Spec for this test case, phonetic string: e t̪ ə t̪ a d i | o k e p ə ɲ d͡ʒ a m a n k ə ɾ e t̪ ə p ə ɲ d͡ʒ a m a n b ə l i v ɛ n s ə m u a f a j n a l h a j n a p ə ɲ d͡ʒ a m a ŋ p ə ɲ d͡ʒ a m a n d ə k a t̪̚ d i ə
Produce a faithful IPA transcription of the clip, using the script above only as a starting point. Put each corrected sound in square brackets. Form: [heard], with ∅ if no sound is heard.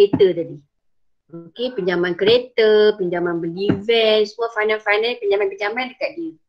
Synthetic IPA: e t̪ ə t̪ a d i | o k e p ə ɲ d͡ʒ a m a n k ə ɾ e t̪ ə p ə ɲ d͡ʒ a m a n b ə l i v ɛ n s ə m u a f a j n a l [f] a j n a p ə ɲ d͡ʒ a m a [n] p ə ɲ d͡ʒ a m a n d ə k a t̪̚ d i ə